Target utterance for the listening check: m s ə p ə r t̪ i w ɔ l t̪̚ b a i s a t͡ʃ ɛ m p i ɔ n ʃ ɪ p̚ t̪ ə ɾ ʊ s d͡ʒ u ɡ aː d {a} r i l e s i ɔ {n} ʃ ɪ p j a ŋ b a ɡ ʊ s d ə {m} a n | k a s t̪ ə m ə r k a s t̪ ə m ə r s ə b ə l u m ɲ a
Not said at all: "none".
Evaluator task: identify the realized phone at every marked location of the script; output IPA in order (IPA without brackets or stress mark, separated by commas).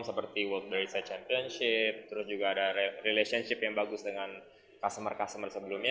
a, n, ŋ